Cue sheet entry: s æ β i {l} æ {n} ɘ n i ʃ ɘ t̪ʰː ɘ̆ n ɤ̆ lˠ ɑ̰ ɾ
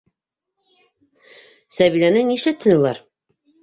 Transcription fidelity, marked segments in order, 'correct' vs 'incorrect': correct, correct

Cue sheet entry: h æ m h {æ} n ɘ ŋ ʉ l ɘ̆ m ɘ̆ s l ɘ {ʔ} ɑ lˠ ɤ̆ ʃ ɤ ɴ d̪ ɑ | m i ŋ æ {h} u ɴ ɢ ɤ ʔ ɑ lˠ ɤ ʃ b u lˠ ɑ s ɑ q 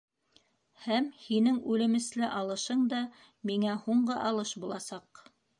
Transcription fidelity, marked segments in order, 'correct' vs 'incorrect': incorrect: i, correct, correct

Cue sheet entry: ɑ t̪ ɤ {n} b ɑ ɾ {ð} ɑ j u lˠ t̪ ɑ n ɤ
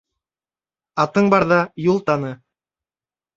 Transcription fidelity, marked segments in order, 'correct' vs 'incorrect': incorrect: ɴ, correct

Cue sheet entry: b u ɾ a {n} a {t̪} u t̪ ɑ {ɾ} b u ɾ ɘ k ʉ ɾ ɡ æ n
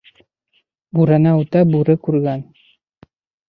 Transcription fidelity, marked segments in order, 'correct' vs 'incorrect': correct, incorrect: none, incorrect: none

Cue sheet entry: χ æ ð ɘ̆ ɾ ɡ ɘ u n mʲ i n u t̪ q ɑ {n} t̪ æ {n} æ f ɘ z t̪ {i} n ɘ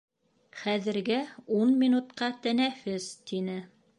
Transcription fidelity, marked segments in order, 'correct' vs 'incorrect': incorrect: none, correct, correct

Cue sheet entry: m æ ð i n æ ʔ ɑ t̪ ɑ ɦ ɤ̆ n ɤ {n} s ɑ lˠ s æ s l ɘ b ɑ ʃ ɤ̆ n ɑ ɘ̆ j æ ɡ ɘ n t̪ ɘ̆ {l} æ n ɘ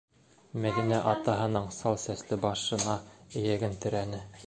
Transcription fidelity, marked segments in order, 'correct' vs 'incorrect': incorrect: ɴ, incorrect: ɾ

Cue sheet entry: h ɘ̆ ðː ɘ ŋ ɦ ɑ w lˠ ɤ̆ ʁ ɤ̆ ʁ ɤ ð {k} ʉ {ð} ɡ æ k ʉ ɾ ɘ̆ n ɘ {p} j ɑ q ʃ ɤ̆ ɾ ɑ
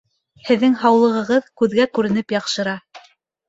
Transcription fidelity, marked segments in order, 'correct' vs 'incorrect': correct, correct, correct

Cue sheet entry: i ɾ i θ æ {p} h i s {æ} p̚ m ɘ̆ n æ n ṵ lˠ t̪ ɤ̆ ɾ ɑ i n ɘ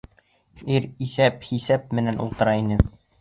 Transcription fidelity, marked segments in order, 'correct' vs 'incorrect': correct, correct

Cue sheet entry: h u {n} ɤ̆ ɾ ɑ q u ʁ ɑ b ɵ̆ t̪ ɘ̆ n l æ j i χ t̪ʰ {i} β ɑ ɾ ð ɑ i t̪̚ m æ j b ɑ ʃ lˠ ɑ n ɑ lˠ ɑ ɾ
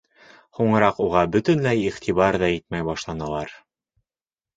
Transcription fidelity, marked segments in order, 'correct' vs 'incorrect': incorrect: ɴ, correct

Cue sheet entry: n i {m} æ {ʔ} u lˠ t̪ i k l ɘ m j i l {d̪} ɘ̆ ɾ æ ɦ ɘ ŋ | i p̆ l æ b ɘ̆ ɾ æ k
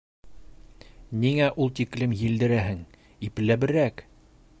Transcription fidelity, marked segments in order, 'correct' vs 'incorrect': incorrect: ŋ, correct, correct

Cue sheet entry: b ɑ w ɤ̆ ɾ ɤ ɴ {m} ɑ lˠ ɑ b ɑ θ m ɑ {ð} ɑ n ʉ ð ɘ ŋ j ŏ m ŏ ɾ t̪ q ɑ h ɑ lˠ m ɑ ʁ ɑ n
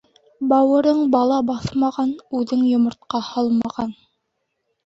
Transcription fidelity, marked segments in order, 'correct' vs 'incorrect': incorrect: b, incorrect: ʁ

